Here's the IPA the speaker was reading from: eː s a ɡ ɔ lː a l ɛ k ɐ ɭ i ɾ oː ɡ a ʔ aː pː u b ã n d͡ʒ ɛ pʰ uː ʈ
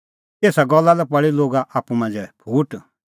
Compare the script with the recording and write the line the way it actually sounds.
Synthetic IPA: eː s a ɡ ɔ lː a l ɛ p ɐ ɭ i l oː ɡ a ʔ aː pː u m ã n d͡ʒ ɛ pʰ uː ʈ

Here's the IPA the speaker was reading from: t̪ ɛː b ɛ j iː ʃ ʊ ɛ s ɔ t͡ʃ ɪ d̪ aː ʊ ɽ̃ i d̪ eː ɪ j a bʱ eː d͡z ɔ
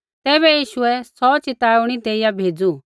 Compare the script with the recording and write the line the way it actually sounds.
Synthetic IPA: t̪ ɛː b ɛ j iː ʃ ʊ ɛ s ɔ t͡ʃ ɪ t̪ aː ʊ ɽ̃ i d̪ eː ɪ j a bʱ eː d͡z u

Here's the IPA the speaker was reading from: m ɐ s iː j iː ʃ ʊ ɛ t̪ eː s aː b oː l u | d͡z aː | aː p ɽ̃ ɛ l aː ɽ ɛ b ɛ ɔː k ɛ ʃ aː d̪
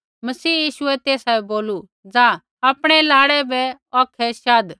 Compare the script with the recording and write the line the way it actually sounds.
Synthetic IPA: m ɐ s iː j iː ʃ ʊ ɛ t̪ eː s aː b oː l u | d͡z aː | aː p ɽ̃ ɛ l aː ɽ ɛ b ɛ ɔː kʰ ɛ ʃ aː d̪

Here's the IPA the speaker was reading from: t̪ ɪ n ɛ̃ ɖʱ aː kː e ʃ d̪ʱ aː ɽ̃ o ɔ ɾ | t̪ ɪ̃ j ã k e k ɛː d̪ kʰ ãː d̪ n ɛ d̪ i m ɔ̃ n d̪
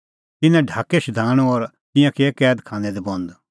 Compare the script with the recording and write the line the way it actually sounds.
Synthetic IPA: t̪ ɪ n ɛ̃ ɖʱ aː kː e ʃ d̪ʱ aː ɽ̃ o ɔ ɾ | t̪ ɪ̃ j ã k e k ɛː d̪ kʰ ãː n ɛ d̪ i b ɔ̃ n d̪

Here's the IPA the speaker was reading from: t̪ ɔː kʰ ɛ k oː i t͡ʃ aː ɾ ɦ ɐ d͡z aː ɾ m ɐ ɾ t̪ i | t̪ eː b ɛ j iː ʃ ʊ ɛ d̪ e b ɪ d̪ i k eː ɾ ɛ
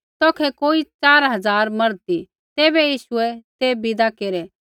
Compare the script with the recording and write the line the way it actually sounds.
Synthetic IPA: t̪ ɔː kʰ ɛ k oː i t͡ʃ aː ɾ ɦ ɐ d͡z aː ɾ m ɐ ɾ t̪ i | t̪ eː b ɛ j iː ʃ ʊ ɛ t̪ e b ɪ d̪ a k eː ɾ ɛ

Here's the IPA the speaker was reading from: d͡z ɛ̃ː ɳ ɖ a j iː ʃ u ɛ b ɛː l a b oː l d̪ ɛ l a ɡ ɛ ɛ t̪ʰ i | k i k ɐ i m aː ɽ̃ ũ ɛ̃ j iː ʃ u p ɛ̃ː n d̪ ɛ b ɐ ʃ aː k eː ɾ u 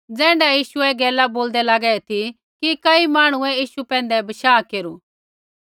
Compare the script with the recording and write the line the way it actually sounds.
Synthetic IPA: d͡z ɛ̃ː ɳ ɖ a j iː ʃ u ɛ ɡ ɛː l a b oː l d̪ ɛ l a ɡ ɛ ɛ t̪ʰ i | k i k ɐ i m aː ɽ̃ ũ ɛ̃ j iː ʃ u p ɛ̃ː n d̪ ɛ b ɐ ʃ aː k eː ɾ u

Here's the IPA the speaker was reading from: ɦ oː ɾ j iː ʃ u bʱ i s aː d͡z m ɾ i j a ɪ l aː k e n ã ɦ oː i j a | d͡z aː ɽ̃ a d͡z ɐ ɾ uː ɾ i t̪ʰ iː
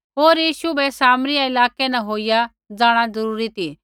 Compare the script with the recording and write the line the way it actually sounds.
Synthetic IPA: ɦ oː ɾ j iː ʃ u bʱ ɛ s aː m ɾ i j a ɪ l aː k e n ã ɦ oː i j a | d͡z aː ɽ̃ a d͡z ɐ ɾ uː ɾ i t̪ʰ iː

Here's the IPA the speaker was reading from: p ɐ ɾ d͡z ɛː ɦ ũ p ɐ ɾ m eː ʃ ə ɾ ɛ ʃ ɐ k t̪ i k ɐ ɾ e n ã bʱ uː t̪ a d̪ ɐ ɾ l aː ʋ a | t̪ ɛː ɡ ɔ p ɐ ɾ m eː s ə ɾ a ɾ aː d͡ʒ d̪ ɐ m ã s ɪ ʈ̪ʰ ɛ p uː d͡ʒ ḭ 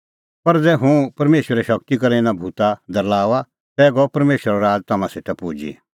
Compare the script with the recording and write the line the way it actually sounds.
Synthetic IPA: p ɐ ɾ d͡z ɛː ɦ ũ p ɐ ɾ m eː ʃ ə ɾ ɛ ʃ ɐ k t̪ i k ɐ ɾ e n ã bʱ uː t̪ a d̪ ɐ ɾ l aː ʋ a | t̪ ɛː ɡ ɔ p ɐ ɾ m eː ʃ ə ɾ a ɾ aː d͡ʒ t̪ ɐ m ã s ɪ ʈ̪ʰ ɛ p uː d͡ʒ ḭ

